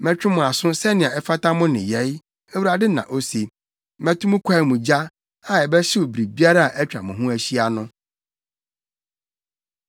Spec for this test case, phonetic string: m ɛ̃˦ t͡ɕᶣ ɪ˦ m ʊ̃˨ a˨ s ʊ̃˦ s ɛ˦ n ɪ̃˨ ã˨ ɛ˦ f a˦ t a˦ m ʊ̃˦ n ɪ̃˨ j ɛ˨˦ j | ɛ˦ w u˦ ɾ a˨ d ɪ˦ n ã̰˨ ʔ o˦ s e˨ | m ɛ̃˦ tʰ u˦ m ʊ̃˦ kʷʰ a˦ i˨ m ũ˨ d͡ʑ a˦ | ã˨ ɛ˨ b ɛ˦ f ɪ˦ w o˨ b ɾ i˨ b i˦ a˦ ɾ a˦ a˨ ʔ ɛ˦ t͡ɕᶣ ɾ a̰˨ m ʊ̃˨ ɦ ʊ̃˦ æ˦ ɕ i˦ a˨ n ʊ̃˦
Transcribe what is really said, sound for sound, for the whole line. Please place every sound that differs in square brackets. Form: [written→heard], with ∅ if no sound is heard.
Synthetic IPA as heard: m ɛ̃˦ t͡ɕᶣ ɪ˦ m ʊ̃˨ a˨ s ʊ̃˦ s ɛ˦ n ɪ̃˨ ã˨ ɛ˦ f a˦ t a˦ m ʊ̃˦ n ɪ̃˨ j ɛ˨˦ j | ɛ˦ w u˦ ɾ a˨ d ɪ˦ n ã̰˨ ʔ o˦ s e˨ | m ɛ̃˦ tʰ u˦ m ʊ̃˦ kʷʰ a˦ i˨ m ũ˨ d͡ʑ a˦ | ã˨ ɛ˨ b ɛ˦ [f→ɕ] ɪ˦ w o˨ b ɾ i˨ b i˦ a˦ ɾ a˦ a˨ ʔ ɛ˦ t͡ɕᶣ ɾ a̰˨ m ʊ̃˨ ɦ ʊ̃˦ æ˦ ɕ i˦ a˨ n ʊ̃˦

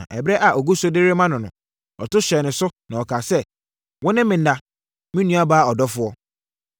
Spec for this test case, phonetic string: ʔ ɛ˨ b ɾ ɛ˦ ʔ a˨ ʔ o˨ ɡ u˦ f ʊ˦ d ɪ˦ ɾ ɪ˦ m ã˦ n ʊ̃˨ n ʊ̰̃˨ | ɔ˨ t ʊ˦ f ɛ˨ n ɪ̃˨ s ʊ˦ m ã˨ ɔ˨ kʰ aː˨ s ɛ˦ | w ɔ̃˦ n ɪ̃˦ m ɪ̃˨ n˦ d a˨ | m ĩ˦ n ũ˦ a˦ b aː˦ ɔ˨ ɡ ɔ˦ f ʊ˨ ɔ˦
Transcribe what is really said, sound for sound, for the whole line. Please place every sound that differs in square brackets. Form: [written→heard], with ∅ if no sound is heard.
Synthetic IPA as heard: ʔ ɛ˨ b ɾ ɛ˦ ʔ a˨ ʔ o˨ ɡ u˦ [f→s] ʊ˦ d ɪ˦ ɾ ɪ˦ m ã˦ n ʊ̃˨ n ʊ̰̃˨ | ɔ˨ t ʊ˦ [f→ɕ] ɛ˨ n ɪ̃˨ s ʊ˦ [m→n] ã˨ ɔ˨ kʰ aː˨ s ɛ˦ | w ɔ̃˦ n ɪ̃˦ m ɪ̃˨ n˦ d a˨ | m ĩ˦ n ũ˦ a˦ b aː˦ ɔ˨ [ɡ→d] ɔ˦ f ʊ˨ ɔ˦

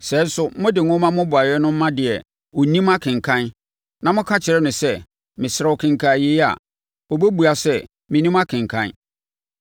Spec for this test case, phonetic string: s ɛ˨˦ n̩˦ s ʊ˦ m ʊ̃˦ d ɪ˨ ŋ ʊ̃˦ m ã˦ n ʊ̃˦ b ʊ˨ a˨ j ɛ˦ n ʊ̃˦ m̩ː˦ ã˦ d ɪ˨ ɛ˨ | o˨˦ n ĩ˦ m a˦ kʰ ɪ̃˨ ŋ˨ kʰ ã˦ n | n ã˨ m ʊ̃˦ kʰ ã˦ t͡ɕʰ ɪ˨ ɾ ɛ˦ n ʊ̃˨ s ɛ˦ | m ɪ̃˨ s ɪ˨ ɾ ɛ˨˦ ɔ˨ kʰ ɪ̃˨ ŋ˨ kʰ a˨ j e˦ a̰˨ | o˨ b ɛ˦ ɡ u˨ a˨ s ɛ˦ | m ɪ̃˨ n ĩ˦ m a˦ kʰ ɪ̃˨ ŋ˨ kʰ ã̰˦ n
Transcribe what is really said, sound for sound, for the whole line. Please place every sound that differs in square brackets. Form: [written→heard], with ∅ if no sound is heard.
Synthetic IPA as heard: s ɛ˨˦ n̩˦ s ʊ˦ m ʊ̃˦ d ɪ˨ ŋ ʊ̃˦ m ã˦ [n→m] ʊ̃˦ b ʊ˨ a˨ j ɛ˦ n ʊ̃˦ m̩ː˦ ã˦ d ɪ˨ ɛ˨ | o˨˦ n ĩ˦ m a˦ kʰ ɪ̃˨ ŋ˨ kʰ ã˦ n | n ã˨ m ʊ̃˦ kʰ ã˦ t͡ɕʰ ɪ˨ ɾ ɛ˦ n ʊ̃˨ s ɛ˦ | m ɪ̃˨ s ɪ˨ ɾ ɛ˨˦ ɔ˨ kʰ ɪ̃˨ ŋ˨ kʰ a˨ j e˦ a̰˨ | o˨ b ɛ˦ [ɡ→b] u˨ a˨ s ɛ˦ | m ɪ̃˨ n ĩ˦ m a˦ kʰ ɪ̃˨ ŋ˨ kʰ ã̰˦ n

